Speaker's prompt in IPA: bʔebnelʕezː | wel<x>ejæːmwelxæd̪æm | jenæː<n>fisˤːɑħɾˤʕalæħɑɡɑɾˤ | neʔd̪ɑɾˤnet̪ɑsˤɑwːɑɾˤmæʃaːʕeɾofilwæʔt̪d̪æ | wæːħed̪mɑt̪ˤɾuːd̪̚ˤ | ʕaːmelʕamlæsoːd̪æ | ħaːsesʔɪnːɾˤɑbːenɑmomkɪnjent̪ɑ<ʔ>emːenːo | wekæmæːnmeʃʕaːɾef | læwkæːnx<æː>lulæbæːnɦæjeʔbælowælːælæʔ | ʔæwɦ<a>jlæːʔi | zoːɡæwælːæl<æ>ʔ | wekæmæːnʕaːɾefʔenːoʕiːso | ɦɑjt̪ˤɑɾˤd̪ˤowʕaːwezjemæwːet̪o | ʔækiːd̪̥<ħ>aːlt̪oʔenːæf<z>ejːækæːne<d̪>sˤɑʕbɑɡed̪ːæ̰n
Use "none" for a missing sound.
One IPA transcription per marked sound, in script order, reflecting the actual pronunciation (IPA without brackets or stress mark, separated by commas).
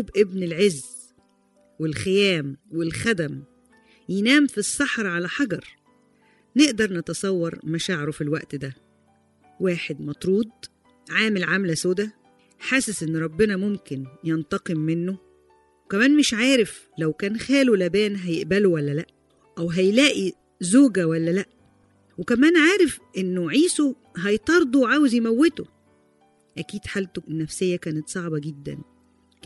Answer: x, m, q, æː, æ, æ, ħ, s, t̪